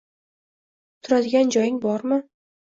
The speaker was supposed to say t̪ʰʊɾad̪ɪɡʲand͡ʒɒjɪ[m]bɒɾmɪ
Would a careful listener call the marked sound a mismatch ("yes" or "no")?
yes